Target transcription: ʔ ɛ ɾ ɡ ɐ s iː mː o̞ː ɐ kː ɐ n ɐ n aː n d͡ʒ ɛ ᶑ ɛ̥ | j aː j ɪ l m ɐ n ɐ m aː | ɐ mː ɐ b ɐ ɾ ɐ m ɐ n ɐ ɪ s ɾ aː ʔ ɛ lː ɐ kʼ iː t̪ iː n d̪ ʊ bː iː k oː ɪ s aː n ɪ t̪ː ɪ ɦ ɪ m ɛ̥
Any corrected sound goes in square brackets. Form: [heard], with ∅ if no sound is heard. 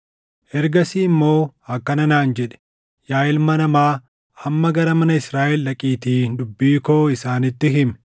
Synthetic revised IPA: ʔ ɛ ɾ ɡ ɐ s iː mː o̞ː ɐ kː ɐ n ɐ n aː n d͡ʒ ɛ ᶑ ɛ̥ | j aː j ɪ l m ɐ n ɐ m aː | ɐ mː ɐ [ɡ] ɐ ɾ ɐ m ɐ n ɐ ɪ s ɾ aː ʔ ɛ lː ɐ kʼ iː t̪ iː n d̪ ʊ bː iː k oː ɪ s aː n ɪ t̪ː ɪ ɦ ɪ m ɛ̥